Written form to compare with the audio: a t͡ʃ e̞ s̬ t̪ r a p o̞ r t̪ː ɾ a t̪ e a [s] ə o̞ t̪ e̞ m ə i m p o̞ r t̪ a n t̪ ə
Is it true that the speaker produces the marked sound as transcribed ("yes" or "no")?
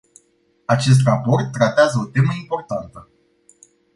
no